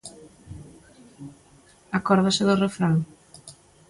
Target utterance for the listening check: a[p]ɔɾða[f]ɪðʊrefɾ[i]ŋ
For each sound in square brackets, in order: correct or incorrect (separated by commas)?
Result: incorrect, incorrect, incorrect